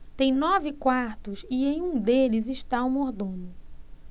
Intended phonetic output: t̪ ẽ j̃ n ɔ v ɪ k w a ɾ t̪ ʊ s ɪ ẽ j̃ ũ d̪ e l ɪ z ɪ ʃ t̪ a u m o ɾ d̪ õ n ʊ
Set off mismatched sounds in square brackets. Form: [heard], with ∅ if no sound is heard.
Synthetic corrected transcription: t̪ ẽ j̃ n ɔ v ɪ k w a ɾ t̪ ʊ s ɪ ẽ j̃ ũ d̪ e l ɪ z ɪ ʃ t̪ a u m o ɾ d̪ õ n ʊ

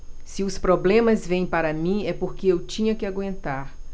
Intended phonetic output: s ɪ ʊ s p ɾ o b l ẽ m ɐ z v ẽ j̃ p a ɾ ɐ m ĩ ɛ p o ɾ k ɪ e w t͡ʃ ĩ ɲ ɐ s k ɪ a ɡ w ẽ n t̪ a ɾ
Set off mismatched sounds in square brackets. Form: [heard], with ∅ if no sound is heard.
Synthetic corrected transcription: s ɪ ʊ s p ɾ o b l ẽ m ɐ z v ẽ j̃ p a ɾ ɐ m ĩ ɛ p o ɾ k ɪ e w t͡ʃ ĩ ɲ ɐ [∅] k ɪ a ɡ w ẽ n t̪ a ɾ

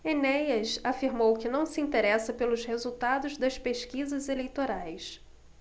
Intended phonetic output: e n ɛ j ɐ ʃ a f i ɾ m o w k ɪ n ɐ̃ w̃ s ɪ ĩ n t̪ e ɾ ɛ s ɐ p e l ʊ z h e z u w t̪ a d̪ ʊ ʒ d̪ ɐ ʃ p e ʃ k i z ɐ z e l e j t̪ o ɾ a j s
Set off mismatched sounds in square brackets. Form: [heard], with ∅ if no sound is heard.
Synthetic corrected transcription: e n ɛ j ɐ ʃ a f i ɾ m o w k ɪ n ɐ̃ w̃ s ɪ ĩ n t̪ e ɾ ɛ s ɐ p e l ʊ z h e z u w t̪ a d̪ ʊ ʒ d̪ ɐ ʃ p e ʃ k i z ɐ z e l e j t̪ o ɾ a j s

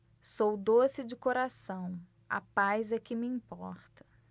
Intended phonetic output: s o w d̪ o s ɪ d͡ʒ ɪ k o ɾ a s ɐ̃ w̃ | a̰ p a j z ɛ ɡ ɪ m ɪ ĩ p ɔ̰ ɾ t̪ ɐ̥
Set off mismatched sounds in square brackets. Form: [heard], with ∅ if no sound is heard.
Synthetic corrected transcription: s o w d̪ o s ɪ d͡ʒ ɪ k o ɾ a s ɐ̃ w̃ | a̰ p a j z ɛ [k] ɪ m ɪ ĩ p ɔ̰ ɾ t̪ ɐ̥

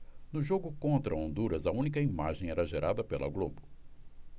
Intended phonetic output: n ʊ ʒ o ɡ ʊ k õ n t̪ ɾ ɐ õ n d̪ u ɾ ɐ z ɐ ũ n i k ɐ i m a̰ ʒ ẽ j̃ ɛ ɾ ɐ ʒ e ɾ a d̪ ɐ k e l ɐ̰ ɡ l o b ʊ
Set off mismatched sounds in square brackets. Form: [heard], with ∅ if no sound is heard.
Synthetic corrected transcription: n ʊ ʒ o ɡ ʊ k õ n t̪ ɾ ɐ õ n d̪ u ɾ ɐ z ɐ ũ n i k ɐ i m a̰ ʒ ẽ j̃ ɛ ɾ ɐ ʒ e ɾ a d̪ ɐ [p] e l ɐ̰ ɡ l o b ʊ

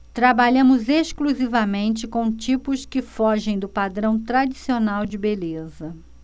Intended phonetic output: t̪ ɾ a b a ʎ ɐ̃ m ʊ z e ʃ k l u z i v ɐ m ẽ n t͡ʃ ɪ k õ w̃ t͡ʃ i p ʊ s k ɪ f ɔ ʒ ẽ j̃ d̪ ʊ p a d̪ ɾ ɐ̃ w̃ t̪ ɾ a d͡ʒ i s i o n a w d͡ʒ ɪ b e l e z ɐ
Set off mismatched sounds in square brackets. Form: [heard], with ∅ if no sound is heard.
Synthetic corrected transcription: t̪ ɾ a b a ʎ ɐ̃ m ʊ z e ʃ k l u z i v ɐ m ẽ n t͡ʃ ɪ k õ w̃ t͡ʃ i p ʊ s k ɪ f ɔ ʒ ẽ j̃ d̪ ʊ p a d̪ ɾ ɐ̃ w̃ t̪ ɾ a d͡ʒ i s i o n a w d͡ʒ ɪ b e l e z ɐ

